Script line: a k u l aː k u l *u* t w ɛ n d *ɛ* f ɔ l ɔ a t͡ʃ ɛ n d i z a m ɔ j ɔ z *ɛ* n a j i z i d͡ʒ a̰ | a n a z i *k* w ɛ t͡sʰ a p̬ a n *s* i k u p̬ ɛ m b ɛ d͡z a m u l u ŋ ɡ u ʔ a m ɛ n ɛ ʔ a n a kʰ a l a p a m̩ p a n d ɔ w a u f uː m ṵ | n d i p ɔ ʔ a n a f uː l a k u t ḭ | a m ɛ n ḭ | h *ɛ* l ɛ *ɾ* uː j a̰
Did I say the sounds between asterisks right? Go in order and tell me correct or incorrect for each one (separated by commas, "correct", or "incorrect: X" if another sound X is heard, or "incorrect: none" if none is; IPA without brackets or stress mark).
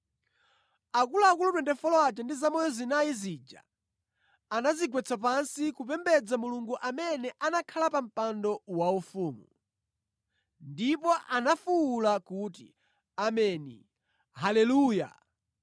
correct, correct, incorrect: i, incorrect: ɡ, correct, incorrect: a, incorrect: l